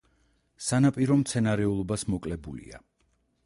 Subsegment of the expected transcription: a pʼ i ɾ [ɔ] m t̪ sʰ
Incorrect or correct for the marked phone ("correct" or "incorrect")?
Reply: correct